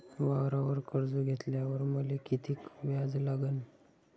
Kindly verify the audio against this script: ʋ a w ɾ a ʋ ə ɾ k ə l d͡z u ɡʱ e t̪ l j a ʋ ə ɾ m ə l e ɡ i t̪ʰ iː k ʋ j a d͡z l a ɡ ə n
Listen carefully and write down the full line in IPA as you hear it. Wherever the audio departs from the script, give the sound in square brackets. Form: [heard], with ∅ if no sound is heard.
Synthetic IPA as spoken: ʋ a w ɾ a ʋ ə ɾ k ə [ɾ] d͡z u ɡʱ e t̪ l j a ʋ ə ɾ m ə l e [k] i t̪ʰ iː k ʋ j a d͡z l a ɡ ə n